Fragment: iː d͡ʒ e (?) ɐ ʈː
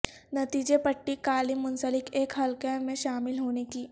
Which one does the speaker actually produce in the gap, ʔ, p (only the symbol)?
p